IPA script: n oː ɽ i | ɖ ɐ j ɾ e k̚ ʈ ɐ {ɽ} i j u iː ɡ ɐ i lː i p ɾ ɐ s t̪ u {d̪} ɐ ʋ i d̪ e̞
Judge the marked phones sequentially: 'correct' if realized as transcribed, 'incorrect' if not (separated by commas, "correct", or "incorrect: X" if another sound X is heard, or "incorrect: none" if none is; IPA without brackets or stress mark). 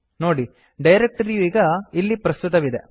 incorrect: ɾ, incorrect: t̪